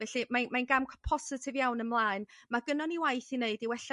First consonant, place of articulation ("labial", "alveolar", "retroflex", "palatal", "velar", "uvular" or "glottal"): labial